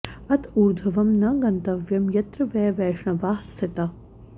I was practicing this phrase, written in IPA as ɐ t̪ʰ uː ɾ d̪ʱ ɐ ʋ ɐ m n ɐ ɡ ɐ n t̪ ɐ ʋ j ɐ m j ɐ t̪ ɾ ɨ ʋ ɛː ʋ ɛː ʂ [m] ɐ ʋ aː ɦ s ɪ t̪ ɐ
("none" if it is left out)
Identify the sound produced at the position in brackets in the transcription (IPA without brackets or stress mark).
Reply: ɳ